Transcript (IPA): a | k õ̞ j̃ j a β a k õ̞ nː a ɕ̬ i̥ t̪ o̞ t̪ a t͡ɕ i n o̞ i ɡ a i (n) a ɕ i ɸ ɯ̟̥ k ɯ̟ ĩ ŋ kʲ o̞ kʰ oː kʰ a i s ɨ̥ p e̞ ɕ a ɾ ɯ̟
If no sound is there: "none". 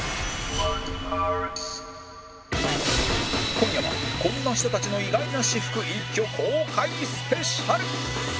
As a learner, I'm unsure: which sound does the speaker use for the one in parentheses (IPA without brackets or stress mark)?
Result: n